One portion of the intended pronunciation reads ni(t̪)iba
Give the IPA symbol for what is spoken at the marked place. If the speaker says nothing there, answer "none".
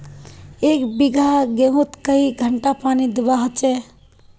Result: d̪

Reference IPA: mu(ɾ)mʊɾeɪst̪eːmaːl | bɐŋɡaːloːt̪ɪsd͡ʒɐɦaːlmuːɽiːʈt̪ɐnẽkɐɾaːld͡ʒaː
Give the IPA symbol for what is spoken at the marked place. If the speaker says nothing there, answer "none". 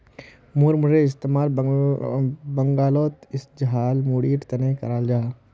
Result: ɾ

